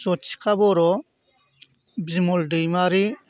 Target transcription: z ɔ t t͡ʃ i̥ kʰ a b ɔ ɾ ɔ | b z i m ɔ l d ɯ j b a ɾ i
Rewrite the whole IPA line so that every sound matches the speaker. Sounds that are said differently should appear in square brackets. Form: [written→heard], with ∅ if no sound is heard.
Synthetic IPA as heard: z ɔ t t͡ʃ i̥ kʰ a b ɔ ɾ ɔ | b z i m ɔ l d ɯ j [b→m] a ɾ i